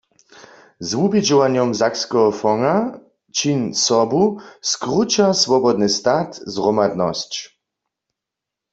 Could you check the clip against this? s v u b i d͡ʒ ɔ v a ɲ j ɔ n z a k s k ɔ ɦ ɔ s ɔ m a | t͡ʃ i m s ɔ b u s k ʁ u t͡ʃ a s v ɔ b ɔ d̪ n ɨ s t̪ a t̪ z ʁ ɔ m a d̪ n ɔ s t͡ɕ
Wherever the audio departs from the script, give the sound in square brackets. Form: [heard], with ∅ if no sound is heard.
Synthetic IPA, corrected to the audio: [z] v u b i d͡ʒ ɔ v a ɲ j ɔ [m] z a k s k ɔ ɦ ɔ [f] ɔ [ŋ] a | t͡ʃ i [n] s ɔ b u s k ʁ u t͡ʃ a s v ɔ b ɔ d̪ n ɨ s t̪ a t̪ z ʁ ɔ m a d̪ n ɔ s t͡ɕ